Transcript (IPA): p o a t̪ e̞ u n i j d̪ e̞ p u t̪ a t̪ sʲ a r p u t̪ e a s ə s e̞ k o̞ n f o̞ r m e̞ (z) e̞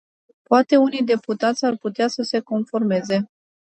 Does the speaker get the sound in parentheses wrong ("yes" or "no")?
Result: no